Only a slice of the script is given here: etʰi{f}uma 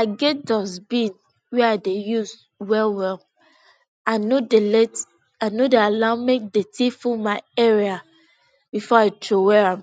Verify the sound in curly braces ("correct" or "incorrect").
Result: correct